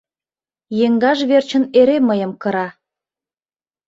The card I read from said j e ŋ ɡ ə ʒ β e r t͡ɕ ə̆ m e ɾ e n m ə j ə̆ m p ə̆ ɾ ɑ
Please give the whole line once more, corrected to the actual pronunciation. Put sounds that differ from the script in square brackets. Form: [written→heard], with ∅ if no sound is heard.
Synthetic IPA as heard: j e ŋ ɡ [ə→ɑ] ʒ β e r t͡ɕ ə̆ [m→n] e ɾ e [n→∅] m ə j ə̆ m [p→k] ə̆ ɾ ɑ